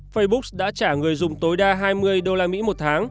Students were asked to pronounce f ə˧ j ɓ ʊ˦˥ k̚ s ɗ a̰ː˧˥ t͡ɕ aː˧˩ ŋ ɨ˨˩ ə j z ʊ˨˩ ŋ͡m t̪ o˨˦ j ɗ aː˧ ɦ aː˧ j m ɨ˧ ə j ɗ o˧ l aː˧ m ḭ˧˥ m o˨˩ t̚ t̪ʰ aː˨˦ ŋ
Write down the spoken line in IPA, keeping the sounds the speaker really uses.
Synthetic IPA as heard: f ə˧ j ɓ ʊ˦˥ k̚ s ɗ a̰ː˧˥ t͡ɕ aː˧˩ ŋ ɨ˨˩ ə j z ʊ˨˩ ŋ͡m t̪ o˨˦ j ɗ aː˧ ɦ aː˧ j m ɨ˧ ə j ɗ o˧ l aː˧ m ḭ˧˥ m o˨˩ t̚ t̪ʰ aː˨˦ ŋ